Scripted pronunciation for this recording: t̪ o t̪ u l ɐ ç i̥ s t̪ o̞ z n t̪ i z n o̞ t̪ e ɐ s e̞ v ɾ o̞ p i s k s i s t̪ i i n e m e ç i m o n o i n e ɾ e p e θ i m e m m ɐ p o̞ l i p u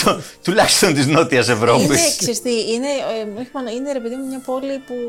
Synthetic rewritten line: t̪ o t̪ u l ɐ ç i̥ s t̪ o̞ n t̪ i z n o̞ t̪ i ɐ s e̞ v ɾ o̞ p i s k s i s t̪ i i n e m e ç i m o n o i n e ɾ e p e ð i m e m ɲ ɐ p o̞ l i p u